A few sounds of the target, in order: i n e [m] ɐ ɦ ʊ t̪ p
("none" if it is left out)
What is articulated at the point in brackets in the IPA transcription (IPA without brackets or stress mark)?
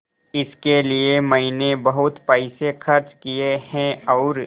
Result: b